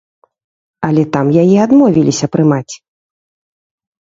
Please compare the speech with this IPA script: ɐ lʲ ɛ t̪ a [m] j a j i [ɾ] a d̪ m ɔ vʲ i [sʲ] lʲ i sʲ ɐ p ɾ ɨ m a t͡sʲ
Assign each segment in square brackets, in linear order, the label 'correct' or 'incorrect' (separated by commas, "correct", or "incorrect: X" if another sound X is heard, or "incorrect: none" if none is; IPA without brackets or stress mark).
correct, incorrect: none, incorrect: none